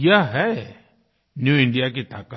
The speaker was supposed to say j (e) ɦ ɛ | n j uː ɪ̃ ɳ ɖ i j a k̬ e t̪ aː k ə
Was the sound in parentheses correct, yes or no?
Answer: no